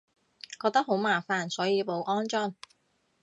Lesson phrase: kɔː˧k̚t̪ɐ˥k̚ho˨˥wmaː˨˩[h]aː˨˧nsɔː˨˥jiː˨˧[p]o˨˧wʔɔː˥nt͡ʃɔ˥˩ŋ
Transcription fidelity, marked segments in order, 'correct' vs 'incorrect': incorrect: f, correct

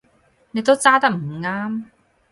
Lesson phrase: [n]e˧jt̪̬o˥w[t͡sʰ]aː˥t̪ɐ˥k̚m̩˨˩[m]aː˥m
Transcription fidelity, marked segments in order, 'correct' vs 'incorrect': correct, incorrect: t͡s, incorrect: ŋ

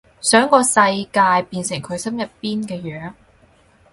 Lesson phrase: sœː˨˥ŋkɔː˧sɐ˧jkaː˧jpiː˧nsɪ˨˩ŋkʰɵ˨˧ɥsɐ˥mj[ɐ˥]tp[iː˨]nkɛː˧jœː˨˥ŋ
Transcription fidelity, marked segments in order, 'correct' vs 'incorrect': incorrect: ɐ˨, incorrect: iː˥

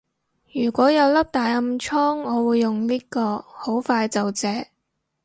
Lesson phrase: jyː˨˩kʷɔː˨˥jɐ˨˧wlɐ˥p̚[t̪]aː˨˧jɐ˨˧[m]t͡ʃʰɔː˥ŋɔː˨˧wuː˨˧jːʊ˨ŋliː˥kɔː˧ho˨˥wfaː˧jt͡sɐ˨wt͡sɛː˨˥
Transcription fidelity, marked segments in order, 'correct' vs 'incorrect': correct, correct

